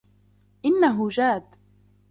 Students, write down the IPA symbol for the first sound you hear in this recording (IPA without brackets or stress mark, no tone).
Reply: ʔ